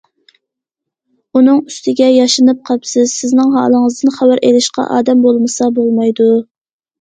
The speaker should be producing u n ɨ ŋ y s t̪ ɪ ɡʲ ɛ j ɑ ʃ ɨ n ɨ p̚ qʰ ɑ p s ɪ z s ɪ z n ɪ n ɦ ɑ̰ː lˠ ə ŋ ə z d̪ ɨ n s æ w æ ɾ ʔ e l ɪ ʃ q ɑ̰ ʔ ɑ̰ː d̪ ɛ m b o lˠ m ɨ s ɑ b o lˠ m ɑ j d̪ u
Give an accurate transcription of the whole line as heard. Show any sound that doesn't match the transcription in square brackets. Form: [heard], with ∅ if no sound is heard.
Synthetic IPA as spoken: u n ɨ ŋ y s t̪ ɪ ɡʲ ɛ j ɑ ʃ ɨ n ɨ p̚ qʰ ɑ p s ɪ z s ɪ z n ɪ [ŋ] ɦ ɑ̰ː lˠ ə ŋ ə z d̪ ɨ n [χ] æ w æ ɾ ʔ e l ɪ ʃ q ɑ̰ ʔ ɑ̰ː d̪ ɛ m b o lˠ m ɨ s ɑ b o lˠ m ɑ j d̪ u

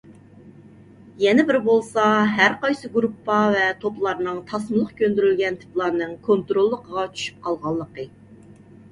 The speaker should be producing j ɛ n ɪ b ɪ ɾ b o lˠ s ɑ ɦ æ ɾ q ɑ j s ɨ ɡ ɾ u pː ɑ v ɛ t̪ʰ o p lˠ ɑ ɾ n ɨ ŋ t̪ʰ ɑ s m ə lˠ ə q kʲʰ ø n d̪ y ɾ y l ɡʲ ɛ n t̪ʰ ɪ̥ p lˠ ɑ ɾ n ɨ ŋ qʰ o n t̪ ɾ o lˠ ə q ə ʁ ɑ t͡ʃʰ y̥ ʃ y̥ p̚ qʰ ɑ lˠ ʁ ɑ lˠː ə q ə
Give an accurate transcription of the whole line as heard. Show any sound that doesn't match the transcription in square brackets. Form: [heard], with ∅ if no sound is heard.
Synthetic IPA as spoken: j ɛ n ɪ b ɪ ɾ b o lˠ s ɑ ɦ æ ɾ q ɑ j s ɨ ɡ ɾ u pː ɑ v ɛ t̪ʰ o p lˠ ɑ ɾ n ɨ ŋ t̪ʰ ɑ s m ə lˠ ə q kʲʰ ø n d̪ y ɾ y l ɡʲ ɛ n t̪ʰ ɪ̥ p lˠ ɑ ɾ n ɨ ŋ [kʰ] o n t̪ ɾ o [lˠː] ə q ə ʁ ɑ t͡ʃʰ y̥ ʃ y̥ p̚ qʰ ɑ lˠ ʁ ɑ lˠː ə q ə

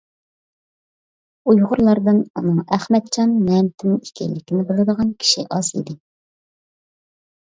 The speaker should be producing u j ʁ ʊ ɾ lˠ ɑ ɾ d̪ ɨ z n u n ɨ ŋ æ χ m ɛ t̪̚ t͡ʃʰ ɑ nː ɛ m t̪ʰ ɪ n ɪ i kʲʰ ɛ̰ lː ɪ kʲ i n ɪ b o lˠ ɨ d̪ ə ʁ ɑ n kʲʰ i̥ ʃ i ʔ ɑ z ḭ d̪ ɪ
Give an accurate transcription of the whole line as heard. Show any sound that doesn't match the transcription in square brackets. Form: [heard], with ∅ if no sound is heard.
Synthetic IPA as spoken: u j ʁ ʊ ɾ lˠ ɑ ɾ d̪ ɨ [∅] n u n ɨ ŋ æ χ m ɛ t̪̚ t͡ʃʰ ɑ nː ɛ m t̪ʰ ɪ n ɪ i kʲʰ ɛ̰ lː ɪ kʲ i n ɪ b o lˠ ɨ d̪ ə ʁ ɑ n kʲʰ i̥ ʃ i ʔ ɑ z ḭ d̪ ɪ

